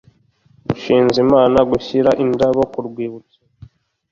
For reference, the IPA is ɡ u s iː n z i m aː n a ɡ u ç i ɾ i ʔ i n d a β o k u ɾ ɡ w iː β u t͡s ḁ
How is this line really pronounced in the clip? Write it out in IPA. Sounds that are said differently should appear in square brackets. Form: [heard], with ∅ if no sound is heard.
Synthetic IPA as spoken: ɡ u [ʃ] iː n z i m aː n a ɡ u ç i ɾ [a] ʔ i n d a β o k u ɾ ɡ w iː β u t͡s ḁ